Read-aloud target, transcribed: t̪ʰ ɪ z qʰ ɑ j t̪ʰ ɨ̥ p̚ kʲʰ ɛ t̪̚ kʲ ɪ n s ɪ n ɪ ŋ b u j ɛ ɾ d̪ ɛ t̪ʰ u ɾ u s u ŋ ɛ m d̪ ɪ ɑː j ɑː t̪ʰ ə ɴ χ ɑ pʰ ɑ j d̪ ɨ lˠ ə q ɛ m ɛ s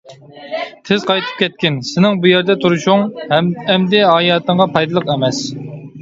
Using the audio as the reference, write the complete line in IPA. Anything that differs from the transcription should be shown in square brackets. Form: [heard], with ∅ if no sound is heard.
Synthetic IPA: t̪ʰ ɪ z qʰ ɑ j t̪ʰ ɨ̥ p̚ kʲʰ ɛ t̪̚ kʲ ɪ n s ɪ n ɪ ŋ b u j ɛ ɾ d̪ ɛ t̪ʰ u ɾ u [ʃ] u ŋ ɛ m d̪ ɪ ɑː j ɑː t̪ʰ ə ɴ [ʁ] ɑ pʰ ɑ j d̪ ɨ lˠ ə q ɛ m ɛ s